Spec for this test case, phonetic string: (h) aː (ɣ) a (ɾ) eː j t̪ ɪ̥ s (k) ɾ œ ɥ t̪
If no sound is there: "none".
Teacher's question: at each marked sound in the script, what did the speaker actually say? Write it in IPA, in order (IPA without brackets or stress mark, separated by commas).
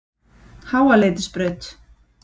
h, w, l, p